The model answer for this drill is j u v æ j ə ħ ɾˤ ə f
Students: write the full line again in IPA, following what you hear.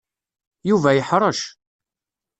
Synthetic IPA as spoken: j u v æ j ə ħ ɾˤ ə ʃ